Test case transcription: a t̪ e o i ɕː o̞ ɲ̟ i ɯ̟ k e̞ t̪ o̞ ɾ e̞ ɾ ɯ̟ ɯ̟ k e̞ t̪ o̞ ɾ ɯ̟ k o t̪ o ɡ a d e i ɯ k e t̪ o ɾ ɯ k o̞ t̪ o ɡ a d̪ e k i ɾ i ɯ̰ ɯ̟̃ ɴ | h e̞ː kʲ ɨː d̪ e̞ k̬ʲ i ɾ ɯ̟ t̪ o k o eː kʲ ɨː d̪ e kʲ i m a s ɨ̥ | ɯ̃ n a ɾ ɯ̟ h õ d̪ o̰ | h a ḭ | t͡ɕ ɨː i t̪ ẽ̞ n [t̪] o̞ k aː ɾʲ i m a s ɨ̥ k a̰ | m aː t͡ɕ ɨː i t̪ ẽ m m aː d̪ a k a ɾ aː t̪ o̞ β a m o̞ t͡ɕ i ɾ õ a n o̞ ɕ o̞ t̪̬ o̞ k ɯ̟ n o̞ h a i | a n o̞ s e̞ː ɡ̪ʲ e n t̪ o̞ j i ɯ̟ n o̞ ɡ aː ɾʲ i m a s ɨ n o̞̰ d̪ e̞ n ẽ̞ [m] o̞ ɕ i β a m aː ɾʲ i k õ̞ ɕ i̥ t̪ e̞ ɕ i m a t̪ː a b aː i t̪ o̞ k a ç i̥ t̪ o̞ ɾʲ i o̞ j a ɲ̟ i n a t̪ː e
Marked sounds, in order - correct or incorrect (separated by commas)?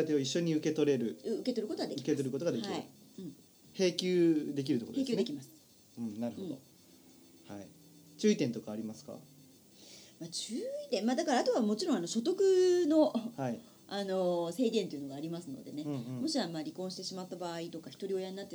correct, correct